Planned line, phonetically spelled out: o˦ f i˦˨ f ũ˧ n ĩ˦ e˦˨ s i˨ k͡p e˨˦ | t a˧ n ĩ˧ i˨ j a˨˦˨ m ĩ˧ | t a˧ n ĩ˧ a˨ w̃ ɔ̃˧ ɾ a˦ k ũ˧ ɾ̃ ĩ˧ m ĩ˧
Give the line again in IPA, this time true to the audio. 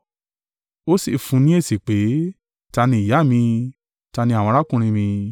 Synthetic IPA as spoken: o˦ s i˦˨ f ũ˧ n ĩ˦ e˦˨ s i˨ k͡p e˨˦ | t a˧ n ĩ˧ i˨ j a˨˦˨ m ĩ˧ | t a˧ n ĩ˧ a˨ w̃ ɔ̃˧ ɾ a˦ k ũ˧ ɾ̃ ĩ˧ m ĩ˧

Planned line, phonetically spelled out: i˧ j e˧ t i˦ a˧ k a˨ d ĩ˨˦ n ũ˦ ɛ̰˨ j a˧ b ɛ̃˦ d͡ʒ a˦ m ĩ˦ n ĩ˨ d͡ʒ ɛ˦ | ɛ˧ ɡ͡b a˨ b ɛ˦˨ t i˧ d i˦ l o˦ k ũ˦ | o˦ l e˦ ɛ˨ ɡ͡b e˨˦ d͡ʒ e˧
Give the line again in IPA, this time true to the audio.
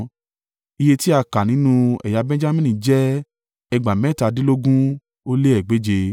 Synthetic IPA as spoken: i˧ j e˧ t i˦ a˧ k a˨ n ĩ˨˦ n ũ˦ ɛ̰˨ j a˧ b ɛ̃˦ d͡ʒ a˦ m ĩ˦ n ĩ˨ d͡ʒ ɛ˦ | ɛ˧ ɡ͡b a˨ m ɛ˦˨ t a˧ d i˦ l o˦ ɡ ũ˦ | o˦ l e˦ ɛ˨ ɡ͡b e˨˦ d͡ʒ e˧

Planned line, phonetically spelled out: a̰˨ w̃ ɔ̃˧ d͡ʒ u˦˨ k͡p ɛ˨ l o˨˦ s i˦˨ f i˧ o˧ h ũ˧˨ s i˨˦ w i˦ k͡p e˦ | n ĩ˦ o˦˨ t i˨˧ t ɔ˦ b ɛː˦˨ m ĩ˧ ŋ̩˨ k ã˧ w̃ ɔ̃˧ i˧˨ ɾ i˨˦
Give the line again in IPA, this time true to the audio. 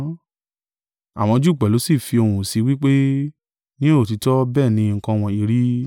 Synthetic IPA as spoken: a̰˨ w̃ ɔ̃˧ d͡ʒ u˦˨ k͡p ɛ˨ l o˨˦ s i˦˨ f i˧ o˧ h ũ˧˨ s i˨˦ w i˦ k͡p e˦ | n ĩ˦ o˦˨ t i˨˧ t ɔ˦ b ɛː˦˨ n ĩ˧ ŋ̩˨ k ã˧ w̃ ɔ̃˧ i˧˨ ɾ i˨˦

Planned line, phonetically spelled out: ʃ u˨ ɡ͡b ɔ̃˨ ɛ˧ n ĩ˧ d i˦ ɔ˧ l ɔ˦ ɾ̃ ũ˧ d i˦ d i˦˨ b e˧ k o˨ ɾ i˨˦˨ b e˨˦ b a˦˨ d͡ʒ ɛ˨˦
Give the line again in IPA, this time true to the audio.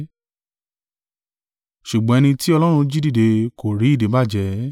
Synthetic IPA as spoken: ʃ u˨ ɡ͡b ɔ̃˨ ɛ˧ n ĩ˧ t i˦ ɔ˧ l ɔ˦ ɾ̃ ũ˧ d͡ʒ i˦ d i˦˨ d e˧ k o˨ ɾ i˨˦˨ d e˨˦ b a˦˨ d͡ʒ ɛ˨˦

